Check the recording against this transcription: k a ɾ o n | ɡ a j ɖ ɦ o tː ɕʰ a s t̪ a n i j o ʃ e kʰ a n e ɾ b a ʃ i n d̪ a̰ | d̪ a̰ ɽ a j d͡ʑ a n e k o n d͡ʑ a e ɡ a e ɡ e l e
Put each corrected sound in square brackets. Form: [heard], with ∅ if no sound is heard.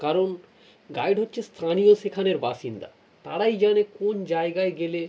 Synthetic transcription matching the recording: k a ɾ o n | ɡ a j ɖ ɦ o tː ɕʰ [e] s [t̪ʰ] a n i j o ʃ e kʰ a n e ɾ b a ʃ i n d̪ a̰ | [t̪] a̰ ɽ a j d͡ʑ a n e k o n d͡ʑ a e ɡ a e ɡ e l e